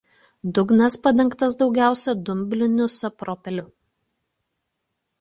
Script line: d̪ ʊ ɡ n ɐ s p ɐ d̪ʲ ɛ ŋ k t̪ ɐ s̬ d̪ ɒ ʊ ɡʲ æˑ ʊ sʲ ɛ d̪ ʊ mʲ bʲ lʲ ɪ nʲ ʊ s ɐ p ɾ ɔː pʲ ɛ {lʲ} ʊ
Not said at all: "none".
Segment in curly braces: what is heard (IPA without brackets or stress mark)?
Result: lʲ